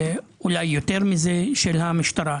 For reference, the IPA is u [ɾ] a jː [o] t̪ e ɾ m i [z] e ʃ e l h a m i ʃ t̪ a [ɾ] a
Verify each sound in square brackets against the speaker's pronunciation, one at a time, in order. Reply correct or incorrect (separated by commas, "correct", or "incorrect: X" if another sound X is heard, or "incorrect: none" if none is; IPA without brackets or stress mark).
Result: incorrect: l, correct, correct, correct